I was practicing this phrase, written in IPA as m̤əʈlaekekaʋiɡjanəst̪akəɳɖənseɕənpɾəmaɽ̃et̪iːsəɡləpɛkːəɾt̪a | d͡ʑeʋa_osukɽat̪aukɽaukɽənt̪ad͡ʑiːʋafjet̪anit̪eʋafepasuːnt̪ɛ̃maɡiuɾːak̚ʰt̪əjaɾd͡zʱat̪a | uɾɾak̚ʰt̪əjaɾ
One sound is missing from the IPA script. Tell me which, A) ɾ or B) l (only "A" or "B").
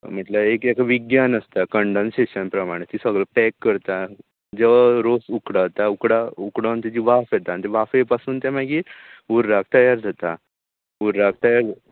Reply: A